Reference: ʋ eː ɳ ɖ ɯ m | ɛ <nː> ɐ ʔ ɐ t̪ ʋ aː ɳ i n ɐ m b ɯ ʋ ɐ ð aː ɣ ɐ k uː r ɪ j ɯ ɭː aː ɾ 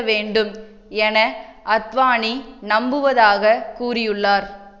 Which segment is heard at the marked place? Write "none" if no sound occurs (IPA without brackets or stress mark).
n